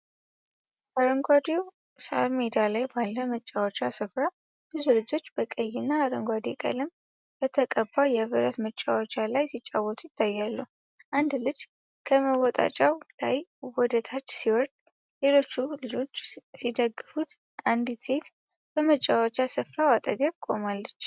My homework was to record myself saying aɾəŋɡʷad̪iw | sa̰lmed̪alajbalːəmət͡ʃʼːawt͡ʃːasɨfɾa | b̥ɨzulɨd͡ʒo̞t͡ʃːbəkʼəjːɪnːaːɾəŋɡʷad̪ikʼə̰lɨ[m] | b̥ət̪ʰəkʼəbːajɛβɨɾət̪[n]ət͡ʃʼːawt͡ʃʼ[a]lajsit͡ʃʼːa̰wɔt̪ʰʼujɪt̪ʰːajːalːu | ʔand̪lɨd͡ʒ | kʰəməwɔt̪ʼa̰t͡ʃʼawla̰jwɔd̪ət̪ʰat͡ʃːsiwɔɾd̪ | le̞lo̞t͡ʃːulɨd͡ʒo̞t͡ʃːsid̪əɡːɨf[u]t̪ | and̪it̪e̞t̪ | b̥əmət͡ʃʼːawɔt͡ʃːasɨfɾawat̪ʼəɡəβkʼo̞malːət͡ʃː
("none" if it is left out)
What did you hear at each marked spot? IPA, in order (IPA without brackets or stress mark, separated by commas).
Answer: m, m, a, u